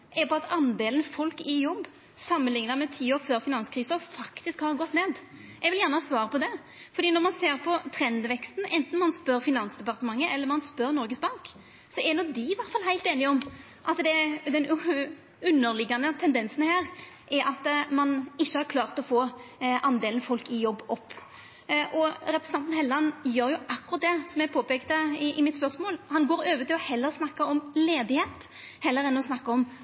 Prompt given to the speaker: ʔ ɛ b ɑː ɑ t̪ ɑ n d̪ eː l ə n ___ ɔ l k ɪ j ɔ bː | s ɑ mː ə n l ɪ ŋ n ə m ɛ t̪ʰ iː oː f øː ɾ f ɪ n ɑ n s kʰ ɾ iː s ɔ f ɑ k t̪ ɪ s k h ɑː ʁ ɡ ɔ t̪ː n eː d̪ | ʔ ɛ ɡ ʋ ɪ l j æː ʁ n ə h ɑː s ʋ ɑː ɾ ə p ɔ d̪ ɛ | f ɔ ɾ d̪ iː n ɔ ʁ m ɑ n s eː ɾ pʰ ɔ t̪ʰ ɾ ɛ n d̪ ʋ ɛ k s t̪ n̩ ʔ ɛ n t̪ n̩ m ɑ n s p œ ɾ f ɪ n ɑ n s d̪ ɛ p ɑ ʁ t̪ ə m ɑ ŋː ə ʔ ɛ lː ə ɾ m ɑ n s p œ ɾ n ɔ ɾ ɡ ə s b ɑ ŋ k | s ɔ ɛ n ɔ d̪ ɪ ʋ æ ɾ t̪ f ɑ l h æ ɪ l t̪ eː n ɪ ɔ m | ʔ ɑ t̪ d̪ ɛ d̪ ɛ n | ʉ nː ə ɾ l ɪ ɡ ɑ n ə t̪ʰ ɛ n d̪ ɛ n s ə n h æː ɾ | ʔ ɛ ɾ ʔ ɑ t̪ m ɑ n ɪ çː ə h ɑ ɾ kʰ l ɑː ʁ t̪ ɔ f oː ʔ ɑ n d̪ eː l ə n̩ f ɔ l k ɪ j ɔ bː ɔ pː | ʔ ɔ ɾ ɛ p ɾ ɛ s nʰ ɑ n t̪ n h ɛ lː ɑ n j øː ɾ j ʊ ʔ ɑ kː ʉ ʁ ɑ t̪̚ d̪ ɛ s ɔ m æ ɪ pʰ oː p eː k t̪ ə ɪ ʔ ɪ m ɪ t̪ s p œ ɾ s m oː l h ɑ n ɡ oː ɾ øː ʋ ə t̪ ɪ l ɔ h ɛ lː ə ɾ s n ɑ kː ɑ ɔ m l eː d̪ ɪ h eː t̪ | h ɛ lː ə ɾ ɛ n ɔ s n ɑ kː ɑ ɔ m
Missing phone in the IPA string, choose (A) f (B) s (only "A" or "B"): A